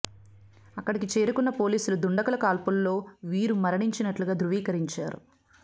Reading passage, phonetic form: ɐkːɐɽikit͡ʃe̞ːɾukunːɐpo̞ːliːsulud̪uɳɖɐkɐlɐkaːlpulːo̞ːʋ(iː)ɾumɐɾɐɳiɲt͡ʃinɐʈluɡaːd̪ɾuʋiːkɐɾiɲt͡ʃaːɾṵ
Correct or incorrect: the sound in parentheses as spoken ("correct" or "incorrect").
correct